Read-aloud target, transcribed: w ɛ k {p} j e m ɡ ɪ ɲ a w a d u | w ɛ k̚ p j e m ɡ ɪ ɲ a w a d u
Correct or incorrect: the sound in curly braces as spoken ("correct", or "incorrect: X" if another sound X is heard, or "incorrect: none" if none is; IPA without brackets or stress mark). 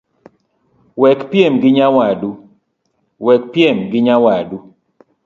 correct